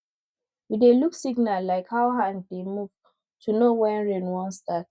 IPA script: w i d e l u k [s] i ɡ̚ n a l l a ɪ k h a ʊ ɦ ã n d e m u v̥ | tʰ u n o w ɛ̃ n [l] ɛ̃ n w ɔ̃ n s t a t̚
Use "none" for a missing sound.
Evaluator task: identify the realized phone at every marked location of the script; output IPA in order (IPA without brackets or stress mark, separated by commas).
s, ɹ